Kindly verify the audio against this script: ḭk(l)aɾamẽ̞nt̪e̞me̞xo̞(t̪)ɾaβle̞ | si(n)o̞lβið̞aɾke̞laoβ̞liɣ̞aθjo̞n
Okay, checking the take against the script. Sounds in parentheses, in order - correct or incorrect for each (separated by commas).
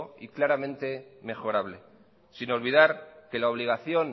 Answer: correct, incorrect, correct